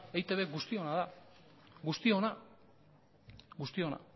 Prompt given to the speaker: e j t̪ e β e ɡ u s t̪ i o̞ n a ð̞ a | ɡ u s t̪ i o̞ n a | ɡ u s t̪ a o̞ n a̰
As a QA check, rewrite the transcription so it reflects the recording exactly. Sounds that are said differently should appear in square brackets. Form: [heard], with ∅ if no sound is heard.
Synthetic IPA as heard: e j t̪ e β e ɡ u s t̪ i o̞ n a ð̞ a | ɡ u s t̪ i o̞ n a | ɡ u s t̪ [i] o̞ n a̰